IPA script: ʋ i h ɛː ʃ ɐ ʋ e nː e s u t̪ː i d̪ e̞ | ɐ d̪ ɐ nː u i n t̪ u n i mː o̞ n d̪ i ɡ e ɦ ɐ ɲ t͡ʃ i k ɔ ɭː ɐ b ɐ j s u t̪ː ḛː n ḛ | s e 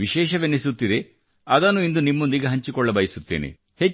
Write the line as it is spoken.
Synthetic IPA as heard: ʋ i ʃ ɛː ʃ ɐ ʋ e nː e s u t̪ː i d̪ e̞ | ɐ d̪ ɐ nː u i n d̪ u n i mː o̞ n d̪ i ɡ e ɦ ɐ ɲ t͡ʃ i k ɔ ɭː ɐ b ɐ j s u t̪ː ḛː n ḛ | h e

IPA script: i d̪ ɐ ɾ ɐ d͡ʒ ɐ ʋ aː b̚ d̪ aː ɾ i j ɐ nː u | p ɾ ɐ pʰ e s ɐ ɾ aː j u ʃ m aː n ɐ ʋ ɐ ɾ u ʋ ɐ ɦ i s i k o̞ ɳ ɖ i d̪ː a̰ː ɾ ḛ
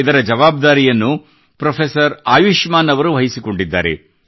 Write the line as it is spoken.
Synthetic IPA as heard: i d̪ ɐ ɾ ɐ d͡ʒ ɐ ʋ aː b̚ d̪ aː ɾ i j ɐ nː u | p ɾ ɐ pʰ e s ɐ ɾ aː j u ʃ m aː n ɐ ʋ ɐ ɾ u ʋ ɐ ɦ i s i k o̞ ɳ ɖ i d̪ː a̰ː ɾ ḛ

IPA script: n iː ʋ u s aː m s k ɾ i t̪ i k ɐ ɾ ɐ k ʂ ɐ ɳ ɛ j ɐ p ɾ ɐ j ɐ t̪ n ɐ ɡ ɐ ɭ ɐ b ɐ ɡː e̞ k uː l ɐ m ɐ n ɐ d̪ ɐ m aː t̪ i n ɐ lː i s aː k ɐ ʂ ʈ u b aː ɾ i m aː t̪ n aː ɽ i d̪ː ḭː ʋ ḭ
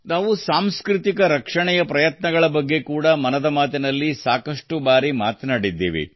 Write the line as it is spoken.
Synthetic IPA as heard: n aː ʋ u s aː m s k ɾ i t̪ i k ɐ ɾ ɐ k ʂ ɐ ɳ ɛ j ɐ p ɾ ɐ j ɐ t̪ n ɐ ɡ ɐ ɭ ɐ b ɐ ɡː e̞ k uː ɽ ɐ m ɐ n ɐ d̪ ɐ m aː t̪ i n ɐ lː i s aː k ɐ ʂ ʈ u b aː ɾ i m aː t̪ n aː ɽ i d̪ː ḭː ʋ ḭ

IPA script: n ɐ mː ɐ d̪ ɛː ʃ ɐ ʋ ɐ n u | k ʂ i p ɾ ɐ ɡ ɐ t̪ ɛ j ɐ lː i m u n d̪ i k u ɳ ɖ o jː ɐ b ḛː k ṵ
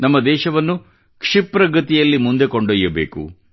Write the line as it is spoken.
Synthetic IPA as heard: n ɐ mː ɐ d̪ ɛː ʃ ɐ ʋ ɐ nː u | k ʂ i p ɾ ɐ ɡ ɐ t̪ i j ɐ lː i m u n d̪ e k o ɳ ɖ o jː ɐ b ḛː k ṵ

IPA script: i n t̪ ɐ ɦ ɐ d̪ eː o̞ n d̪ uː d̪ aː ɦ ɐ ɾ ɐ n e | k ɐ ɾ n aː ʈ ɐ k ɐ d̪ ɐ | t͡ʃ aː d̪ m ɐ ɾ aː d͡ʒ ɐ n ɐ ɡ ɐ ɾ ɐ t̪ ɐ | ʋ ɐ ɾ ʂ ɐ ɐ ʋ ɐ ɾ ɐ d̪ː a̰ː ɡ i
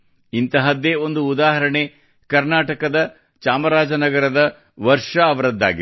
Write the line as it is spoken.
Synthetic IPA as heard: i n t̪ ɐ ɦ ɐ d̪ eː o̞ n d̪ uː d̪ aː ɦ ɐ ɾ ɐ ɳ e | k ɐ ɾ n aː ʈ ɐ k ɐ d̪ ɐ | t͡ʃ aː m ɐ ɾ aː d͡ʒ ɐ n ɐ ɡ ɐ ɾ ɐ d̪ ɐ | ʋ ɐ ɾ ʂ ɐ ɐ ʋ ɐ ɾ ɐ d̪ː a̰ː ɡ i

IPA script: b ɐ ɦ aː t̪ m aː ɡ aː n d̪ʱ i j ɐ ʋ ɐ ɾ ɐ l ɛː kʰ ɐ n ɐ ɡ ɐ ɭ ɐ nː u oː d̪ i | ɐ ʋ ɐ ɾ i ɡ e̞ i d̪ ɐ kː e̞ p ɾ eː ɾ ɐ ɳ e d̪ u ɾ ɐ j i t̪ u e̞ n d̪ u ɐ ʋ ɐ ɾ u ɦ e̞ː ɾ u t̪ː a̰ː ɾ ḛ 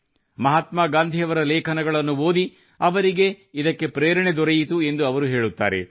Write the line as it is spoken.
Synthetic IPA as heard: m ɐ ɦ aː t̪ m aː ɡ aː n d̪ʱ i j ɐ ʋ ɐ ɾ ɐ l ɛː kʰ ɐ n ɐ ɡ ɐ ɭ ɐ nː u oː d̪ i | ɐ ʋ ɐ ɾ i ɡ e̞ i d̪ ɐ kː e̞ p ɾ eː ɾ ɐ ɳ e d̪ ɔ ɾ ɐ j i t̪ u e̞ n d̪ u ɐ ʋ ɐ ɾ u ɦ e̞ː ɭ u t̪ː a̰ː ɾ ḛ

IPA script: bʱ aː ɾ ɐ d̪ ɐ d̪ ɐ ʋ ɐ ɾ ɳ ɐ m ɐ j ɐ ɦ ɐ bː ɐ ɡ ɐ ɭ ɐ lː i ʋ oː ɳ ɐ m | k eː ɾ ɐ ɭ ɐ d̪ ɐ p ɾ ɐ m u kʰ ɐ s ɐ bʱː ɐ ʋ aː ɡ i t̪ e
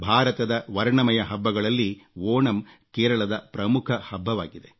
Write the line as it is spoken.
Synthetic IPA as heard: bʱ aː ɾ ɐ t̪ ɐ d̪ ɐ ʋ ɐ ɾ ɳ ɐ m ɐ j ɐ ɦ ɐ bː ɐ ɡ ɐ ɭ ɐ lː i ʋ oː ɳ ɐ m | k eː ɾ ɐ ɭ ɐ d̪ ɐ p ɾ ɐ m u kʰ ɐ h ɐ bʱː ɐ ʋ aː ɡ i d̪ e

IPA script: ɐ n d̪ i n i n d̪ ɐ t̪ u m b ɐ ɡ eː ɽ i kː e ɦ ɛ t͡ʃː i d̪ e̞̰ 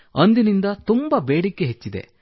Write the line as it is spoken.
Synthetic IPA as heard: ɐ n d̪ i n i n d̪ ɐ t̪ u m b ɐ b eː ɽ i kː e ɦ e t͡ʃː i d̪ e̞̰

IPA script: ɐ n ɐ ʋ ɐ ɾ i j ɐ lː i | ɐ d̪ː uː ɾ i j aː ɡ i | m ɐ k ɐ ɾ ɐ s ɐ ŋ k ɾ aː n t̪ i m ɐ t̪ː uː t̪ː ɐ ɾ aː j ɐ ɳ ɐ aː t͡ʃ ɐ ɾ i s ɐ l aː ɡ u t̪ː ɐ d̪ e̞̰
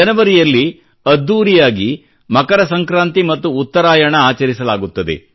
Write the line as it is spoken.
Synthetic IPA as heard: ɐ n ɐ ʋ ɐ ɾ i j ɐ lː i | ɐ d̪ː uː ɾ i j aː ɡ i | m ɐ k ɐ ɾ ɐ s ɐ ŋ k ɾ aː n t̪ i m ɐ t̪ː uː t̪ː ɐ ɾ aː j ɐ ɳ ɐ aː t͡ʃ ɐ ɾ i s ɐ l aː ɡ u t̪ː ɐ d̪ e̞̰

